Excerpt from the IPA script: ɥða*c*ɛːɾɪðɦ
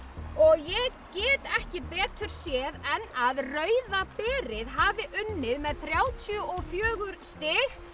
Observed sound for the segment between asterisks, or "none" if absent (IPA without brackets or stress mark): p